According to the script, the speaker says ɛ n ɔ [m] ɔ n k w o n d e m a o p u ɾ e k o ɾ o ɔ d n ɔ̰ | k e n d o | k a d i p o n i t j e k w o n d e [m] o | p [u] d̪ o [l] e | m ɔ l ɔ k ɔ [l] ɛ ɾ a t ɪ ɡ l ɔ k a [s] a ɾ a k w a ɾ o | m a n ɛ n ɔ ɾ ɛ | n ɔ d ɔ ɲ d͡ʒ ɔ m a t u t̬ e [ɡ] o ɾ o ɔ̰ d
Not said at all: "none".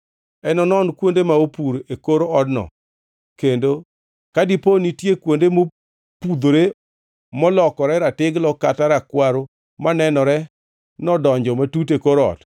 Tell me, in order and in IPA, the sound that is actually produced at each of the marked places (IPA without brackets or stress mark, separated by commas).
n, m, u, ɾ, ɾ, t, k